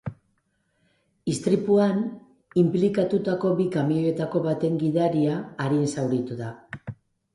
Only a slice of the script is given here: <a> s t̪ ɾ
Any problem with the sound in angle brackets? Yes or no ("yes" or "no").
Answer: yes